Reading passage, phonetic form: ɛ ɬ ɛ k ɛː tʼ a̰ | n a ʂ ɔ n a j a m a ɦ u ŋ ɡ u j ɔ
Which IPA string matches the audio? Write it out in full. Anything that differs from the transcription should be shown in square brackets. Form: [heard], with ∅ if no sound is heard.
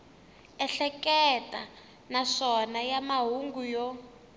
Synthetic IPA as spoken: ɛ ɬ ɛ k [ɛ] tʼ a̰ | n a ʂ ɔ n a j a m a ɦ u ŋ ɡ u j ɔ

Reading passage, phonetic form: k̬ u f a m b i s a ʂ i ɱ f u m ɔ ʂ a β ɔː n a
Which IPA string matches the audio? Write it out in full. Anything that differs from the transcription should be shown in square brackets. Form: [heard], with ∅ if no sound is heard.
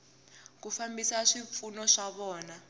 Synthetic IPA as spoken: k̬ u f a m b i s a ʂ i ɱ f u [n] ɔ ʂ a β ɔː n a

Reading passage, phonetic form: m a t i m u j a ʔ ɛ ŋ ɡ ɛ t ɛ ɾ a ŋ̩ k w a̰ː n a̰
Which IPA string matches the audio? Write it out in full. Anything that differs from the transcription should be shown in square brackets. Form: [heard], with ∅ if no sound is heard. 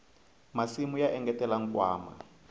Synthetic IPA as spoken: m a [s] i m u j a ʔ ɛ ŋ ɡ ɛ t ɛ [l] a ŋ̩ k w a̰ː [m] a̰

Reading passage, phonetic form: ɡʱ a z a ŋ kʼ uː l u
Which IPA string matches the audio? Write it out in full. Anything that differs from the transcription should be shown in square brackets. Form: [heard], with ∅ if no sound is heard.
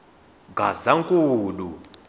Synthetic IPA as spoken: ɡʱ a z a ŋ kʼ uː l u

